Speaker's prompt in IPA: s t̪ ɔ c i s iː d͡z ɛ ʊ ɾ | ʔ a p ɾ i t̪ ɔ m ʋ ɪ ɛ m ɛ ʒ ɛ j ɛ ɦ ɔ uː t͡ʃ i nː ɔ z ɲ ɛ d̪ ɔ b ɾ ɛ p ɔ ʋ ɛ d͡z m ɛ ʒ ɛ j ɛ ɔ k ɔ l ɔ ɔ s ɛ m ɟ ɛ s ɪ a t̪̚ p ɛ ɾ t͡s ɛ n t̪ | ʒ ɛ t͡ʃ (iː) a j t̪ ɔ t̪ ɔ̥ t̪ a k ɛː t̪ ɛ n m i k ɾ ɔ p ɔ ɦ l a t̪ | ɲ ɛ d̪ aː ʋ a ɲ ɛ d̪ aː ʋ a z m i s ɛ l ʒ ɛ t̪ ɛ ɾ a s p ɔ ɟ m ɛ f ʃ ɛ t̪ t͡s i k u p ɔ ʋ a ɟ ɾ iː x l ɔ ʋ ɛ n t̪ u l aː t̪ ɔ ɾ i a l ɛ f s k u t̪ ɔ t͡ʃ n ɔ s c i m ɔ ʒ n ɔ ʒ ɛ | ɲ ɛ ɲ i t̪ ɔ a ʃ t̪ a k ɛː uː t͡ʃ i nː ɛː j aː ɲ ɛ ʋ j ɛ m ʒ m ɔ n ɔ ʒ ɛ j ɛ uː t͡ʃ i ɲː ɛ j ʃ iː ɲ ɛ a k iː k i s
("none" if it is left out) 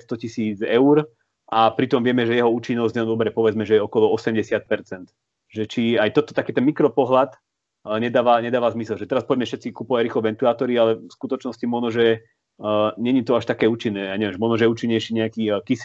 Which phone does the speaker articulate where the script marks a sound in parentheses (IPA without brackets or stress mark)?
i